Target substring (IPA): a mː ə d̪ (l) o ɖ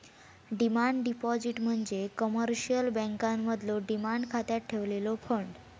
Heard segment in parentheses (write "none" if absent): l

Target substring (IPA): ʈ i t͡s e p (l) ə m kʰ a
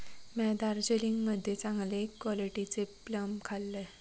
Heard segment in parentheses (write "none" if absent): l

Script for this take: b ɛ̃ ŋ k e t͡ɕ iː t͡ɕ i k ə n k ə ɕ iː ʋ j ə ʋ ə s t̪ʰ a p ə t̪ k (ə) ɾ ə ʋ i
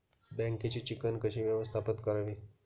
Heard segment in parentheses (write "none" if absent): ə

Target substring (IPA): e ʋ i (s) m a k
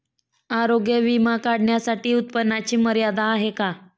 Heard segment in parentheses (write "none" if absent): none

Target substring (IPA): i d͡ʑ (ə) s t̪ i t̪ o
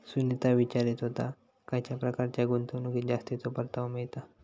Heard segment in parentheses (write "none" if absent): a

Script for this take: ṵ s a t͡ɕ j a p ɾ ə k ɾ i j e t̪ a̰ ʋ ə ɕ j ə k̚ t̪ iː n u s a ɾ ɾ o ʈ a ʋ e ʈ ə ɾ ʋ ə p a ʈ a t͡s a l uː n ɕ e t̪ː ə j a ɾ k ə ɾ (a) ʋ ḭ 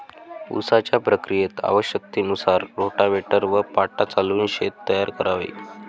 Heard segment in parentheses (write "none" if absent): a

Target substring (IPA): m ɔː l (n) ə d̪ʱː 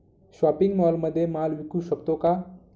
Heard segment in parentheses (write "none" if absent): m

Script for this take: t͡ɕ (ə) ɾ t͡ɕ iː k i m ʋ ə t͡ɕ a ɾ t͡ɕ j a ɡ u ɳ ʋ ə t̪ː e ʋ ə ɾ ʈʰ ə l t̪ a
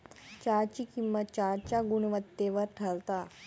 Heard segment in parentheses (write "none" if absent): a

